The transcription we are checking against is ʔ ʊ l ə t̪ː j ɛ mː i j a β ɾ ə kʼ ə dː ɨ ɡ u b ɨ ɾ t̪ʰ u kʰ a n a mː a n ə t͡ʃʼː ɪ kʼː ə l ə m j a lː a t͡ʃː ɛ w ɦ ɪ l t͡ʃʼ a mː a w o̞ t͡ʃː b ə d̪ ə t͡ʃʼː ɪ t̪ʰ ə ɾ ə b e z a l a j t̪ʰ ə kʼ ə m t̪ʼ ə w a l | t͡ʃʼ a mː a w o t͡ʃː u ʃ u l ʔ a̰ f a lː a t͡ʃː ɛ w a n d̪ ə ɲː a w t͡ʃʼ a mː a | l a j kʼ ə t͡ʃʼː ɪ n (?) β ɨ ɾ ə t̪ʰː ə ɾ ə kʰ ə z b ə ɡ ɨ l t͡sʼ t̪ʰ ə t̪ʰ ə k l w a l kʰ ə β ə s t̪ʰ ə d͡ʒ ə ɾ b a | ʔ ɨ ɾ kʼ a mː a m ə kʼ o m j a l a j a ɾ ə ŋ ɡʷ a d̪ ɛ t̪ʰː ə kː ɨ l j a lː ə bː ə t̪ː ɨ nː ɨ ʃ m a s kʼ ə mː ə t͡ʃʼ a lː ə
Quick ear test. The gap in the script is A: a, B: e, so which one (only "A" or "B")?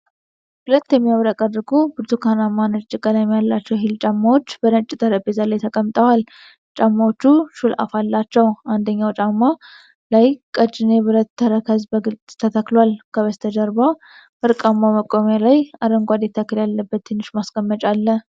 B